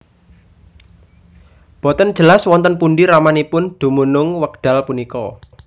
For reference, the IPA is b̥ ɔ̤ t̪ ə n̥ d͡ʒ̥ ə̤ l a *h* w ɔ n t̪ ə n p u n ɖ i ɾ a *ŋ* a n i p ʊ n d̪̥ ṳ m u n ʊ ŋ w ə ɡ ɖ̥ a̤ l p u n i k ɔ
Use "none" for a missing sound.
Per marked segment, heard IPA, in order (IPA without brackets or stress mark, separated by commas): s, m